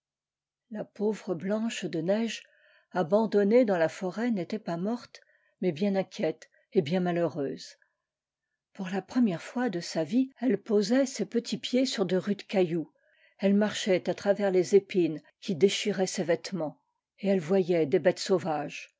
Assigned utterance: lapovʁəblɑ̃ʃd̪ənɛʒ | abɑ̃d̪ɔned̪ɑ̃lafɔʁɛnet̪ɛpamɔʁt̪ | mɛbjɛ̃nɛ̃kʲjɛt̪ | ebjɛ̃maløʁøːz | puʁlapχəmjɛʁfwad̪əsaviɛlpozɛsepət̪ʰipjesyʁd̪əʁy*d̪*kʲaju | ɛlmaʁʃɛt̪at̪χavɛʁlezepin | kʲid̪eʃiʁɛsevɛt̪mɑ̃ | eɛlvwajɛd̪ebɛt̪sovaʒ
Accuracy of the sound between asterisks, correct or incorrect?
correct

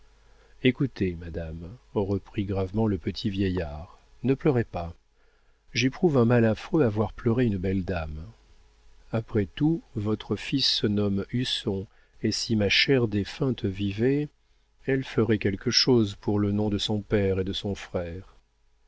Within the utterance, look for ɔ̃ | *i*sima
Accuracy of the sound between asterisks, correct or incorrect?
incorrect: e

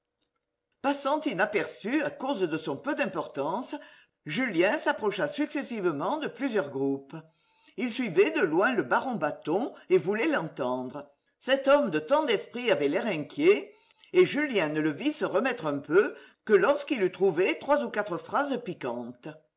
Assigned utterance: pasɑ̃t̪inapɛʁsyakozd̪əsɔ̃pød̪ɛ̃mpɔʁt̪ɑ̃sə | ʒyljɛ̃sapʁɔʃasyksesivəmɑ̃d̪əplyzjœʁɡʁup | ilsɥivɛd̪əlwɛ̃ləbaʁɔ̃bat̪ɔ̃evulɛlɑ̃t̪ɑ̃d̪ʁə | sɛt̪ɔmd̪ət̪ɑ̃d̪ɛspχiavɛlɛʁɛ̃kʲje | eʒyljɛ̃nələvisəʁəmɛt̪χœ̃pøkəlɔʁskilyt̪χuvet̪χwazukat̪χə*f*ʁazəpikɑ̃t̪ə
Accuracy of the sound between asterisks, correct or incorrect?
correct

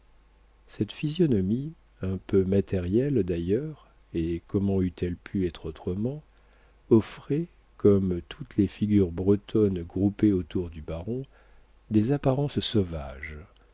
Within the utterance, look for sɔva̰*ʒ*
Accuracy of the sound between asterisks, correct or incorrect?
correct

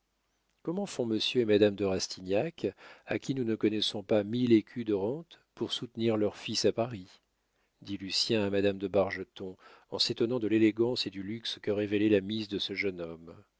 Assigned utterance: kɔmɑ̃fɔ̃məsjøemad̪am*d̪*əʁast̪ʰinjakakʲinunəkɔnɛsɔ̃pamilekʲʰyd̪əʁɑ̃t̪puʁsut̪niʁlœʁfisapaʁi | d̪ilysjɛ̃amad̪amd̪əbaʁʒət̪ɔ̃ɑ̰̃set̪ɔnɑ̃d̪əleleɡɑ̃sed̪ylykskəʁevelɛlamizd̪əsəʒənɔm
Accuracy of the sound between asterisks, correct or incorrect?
correct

